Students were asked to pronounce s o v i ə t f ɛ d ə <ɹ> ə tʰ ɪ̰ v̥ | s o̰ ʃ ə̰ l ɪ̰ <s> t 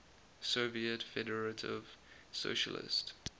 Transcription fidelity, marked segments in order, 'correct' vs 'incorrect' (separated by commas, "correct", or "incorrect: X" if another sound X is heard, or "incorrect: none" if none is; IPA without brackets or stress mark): correct, correct